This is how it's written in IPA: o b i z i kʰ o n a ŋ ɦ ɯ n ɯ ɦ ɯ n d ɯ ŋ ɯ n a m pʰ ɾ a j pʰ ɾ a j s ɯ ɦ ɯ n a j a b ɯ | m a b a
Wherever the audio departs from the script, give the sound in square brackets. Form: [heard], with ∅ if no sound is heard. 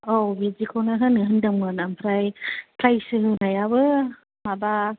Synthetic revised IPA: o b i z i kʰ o n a [∅] ɦ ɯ n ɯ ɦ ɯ n d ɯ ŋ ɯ n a m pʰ ɾ a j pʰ ɾ a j s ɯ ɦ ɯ n a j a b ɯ | m a b a